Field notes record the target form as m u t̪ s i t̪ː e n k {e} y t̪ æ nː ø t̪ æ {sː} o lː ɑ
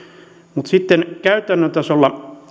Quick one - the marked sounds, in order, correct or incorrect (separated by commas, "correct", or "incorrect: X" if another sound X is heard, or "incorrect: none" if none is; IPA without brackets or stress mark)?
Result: incorrect: æ, incorrect: s